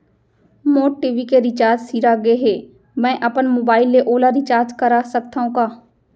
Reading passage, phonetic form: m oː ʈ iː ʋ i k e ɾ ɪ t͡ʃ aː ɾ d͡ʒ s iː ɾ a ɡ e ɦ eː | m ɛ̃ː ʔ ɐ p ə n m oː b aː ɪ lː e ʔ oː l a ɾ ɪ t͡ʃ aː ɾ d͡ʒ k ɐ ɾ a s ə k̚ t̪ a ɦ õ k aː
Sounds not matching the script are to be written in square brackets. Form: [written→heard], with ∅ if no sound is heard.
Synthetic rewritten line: m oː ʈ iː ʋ i k e ɾ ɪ t͡ʃ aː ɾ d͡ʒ s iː ɾ a ɡ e ɦ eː | m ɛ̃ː ʔ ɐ p ə n m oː b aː ɪ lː e ʔ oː l a ɾ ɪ t͡ʃ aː ɾ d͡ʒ k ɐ ɾ a s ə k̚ t̪ a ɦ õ k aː